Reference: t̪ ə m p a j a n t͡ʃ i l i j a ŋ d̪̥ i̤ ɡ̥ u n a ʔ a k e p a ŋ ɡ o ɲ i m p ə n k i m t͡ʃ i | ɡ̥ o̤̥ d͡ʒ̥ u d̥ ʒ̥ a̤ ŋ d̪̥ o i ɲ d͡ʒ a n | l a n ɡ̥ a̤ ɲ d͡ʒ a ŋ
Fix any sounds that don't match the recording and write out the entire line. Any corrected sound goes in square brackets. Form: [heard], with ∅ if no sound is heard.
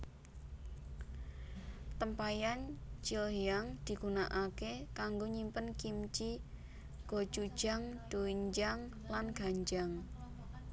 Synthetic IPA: t̪ ə m p a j a n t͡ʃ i l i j a ŋ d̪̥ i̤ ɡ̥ u n a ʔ a k e [k] a ŋ ɡ o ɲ i m p ə n k i m t͡ʃ i | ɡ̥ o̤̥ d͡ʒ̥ u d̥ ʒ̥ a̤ ŋ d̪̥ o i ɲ d͡ʒ a [ŋ] | l a n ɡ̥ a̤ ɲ d͡ʒ a ŋ